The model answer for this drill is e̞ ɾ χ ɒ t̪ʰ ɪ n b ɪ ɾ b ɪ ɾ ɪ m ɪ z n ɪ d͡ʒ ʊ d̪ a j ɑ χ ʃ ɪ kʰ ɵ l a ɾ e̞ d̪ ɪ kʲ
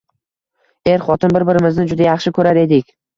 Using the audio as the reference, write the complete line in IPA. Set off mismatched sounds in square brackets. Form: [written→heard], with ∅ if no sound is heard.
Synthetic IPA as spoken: e̞ ɾ χ ɒ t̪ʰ ɪ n b ɪ ɾ b ɪ ɾ ɪ m ɪ z n ɪ d͡ʒ ʊ d̪ a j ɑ χ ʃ ɪ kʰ ɵ [l→ɾ] a ɾ e̞ d̪ ɪ kʲ